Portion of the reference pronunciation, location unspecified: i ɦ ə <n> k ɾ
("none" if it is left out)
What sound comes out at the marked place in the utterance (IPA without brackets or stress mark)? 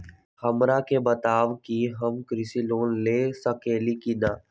m